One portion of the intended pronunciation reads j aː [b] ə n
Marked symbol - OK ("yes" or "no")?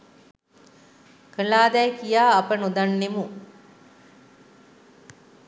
no